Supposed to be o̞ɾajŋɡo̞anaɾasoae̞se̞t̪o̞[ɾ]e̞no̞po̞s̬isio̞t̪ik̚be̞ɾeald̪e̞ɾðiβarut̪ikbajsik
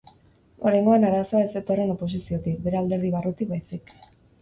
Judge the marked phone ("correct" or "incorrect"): incorrect